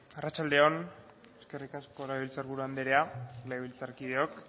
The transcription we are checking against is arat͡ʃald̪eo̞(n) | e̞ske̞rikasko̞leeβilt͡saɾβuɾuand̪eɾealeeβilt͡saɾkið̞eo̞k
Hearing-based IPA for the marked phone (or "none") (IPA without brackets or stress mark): n